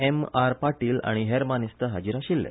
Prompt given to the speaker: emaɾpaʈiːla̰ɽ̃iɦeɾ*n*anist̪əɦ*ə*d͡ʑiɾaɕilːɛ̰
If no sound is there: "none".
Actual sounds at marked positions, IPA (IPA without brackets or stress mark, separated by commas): m, a